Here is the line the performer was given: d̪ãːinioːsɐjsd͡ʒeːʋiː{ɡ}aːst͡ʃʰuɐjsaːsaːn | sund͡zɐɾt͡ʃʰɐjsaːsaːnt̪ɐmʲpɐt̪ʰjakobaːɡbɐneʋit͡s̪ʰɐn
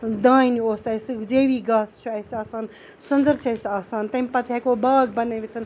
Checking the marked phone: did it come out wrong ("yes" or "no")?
no